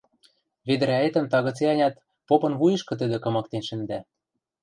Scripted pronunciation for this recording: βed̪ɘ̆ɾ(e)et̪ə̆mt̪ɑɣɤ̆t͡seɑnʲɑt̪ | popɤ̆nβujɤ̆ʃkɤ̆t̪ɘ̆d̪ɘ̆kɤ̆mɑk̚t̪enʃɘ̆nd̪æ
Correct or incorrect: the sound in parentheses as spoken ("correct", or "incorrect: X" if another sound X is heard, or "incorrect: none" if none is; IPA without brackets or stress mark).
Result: incorrect: æ